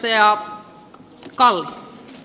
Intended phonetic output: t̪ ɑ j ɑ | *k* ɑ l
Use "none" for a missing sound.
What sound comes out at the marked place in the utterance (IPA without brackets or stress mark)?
k